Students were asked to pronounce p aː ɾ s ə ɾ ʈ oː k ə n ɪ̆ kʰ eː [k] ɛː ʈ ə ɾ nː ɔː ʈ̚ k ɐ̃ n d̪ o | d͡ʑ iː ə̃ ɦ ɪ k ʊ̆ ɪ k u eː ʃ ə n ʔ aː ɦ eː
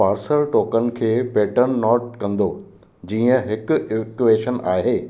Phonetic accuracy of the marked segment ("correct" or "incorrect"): incorrect